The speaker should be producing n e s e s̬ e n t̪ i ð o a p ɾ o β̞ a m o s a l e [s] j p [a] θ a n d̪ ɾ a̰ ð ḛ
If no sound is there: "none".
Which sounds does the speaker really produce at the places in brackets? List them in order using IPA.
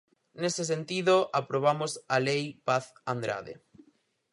none, a

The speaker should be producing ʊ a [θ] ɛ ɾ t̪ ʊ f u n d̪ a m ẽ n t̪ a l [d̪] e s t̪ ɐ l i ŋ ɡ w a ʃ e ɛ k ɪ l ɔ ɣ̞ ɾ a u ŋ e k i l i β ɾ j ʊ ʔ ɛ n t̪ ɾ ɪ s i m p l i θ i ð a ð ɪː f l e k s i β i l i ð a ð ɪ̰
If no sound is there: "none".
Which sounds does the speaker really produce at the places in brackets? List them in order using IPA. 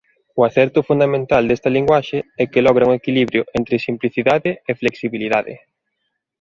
θ, d̪

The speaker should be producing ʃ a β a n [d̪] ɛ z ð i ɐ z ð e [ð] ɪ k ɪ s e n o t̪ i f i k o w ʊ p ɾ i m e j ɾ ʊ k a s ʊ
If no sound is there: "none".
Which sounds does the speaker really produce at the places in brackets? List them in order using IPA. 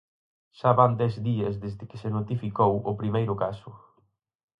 d̪, z

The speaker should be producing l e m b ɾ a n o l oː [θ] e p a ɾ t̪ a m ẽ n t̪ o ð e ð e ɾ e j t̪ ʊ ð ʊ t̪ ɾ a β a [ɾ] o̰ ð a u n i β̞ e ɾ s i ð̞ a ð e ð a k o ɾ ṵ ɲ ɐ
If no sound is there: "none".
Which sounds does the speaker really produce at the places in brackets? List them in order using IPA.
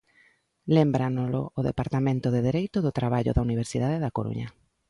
ð, ʎ

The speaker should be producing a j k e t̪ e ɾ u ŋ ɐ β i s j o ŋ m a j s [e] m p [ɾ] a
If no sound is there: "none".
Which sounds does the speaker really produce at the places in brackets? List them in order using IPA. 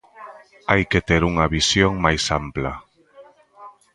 a, l

